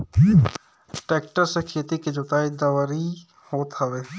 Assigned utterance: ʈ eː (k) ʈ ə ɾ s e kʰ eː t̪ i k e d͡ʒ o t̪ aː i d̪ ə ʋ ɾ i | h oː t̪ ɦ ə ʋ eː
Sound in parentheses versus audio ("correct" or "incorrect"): correct